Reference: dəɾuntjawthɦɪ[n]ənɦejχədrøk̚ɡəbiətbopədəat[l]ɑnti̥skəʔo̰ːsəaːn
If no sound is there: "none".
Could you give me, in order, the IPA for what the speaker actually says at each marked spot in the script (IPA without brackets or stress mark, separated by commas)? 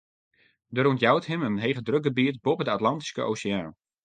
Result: m, l